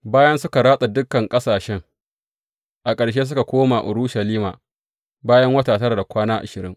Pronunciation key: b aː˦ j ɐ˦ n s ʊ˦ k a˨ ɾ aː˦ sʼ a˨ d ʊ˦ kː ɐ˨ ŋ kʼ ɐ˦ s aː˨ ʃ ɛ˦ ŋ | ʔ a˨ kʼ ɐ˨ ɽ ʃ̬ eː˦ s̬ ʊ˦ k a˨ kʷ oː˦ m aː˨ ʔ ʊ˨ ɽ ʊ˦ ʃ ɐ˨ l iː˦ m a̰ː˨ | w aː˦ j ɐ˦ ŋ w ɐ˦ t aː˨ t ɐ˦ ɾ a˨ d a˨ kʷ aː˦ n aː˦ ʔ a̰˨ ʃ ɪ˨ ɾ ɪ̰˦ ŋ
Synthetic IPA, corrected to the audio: b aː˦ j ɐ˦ n s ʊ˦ k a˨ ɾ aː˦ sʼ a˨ d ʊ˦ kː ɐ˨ ŋ kʼ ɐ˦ s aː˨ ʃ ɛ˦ ŋ | ʔ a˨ kʼ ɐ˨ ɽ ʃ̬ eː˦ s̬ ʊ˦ k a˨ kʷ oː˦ m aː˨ ʔ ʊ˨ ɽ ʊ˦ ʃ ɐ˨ l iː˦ m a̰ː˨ | b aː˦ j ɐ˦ ŋ w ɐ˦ t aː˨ t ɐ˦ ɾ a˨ d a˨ kʷ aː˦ n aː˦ ʔ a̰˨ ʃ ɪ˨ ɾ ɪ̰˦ ŋ